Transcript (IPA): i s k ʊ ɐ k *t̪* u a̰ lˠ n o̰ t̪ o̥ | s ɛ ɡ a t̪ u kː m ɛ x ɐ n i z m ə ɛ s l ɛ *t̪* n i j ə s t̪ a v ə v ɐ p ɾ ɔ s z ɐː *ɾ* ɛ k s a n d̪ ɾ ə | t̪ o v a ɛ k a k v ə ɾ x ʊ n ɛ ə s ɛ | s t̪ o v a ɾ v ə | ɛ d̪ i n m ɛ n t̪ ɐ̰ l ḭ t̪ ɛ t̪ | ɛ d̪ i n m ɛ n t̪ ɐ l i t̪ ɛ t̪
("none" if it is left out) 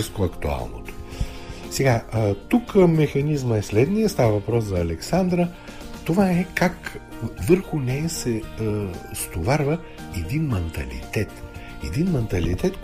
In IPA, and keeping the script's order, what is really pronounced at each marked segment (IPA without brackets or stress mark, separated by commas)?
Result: t̪, d̪, l